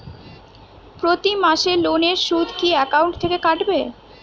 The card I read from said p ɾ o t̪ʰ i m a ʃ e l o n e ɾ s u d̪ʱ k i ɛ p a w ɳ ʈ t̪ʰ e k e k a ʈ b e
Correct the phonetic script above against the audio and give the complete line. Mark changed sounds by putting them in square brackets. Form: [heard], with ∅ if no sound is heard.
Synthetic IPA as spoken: p ɾ o [t̪] i m a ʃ e l o n e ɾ [ʃ] u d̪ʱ k i ɛ [k] a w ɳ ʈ t̪ʰ e k e k a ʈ b e